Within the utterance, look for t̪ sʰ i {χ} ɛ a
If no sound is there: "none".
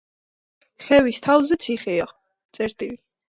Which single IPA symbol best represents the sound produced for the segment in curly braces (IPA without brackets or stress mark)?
χ